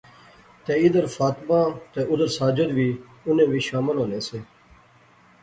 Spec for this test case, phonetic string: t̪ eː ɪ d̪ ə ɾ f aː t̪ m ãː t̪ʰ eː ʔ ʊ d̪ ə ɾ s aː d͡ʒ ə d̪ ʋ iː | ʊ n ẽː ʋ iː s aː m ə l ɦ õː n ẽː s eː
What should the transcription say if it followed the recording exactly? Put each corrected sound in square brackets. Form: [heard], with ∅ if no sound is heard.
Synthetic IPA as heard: t̪ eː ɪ d̪ ə ɾ f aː t̪ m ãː [t̪] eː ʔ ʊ d̪ ə ɾ s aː d͡ʒ ə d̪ ʋ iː | ʊ n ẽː ʋ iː [ʃ] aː m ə l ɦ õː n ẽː s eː